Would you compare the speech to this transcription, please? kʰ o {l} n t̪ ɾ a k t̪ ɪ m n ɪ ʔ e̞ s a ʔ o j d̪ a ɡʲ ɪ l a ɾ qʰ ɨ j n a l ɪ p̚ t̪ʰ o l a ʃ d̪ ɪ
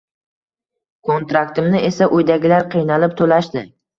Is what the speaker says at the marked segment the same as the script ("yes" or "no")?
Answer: no